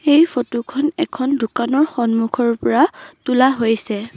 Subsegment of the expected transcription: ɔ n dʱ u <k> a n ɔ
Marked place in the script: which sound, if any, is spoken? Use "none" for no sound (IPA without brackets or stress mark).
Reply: k